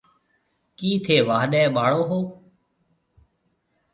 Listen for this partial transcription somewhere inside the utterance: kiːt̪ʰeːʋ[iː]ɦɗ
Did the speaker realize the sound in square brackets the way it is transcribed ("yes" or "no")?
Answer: no